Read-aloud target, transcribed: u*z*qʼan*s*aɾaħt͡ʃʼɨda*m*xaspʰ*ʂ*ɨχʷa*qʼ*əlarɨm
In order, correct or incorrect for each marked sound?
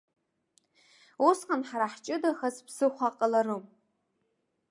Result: incorrect: s, incorrect: ħ, incorrect: none, incorrect: s, correct

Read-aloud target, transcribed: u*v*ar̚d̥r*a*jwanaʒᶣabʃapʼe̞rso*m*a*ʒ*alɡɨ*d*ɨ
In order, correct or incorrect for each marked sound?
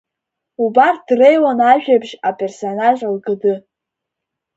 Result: incorrect: b, incorrect: e, incorrect: n, correct, correct

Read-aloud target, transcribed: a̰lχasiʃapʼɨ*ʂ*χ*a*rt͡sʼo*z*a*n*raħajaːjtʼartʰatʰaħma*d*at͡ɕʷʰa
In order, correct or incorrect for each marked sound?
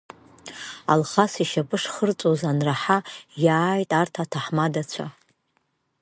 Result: correct, incorrect: ə, correct, correct, correct

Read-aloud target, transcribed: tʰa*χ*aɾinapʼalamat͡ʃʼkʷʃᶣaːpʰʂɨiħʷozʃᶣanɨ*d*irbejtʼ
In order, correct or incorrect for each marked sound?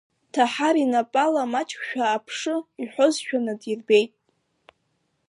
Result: incorrect: ħ, correct

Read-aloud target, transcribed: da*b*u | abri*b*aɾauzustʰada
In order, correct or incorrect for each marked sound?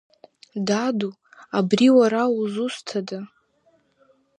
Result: incorrect: d, incorrect: w

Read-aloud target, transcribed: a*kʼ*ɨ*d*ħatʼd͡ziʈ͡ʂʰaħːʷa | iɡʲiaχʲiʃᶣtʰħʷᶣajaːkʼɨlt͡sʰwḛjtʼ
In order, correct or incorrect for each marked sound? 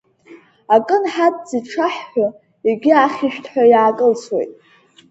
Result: correct, incorrect: n

